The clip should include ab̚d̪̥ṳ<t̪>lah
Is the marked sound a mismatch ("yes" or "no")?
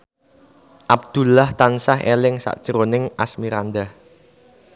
yes